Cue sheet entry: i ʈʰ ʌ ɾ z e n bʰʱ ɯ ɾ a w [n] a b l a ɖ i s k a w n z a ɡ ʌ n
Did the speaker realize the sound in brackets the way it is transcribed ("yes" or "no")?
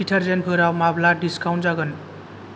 no